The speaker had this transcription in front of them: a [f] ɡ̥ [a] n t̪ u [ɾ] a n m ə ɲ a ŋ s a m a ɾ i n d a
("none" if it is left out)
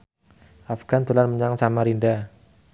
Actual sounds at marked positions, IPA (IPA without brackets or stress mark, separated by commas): f, a, l